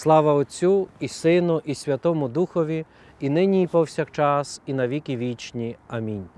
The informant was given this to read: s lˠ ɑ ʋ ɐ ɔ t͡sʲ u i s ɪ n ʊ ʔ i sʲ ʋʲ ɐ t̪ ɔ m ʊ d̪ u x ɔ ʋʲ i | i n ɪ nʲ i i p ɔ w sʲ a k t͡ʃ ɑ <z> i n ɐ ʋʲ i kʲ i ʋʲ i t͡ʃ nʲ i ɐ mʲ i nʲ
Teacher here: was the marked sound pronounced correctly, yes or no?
no